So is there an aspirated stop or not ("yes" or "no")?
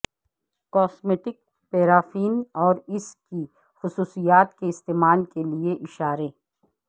no